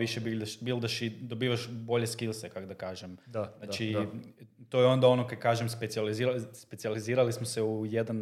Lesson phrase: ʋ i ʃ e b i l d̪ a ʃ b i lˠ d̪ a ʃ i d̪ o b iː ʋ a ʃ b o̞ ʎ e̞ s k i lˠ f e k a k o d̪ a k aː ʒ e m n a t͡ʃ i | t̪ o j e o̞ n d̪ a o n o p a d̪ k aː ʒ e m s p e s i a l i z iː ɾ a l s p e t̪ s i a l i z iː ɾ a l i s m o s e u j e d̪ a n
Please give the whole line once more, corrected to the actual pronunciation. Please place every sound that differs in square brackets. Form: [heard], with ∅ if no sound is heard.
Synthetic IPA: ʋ i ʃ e b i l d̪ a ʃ b i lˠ d̪ a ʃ i d̪ o b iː ʋ a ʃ b o̞ ʎ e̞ s k i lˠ [s] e k a k o d̪ a k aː ʒ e m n a t͡ʃ i | t̪ o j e o̞ n d̪ a o n o [k] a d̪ k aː ʒ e m s p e s i a l i z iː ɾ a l s p e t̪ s i a l i z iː ɾ a l i s m o s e u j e d̪ a n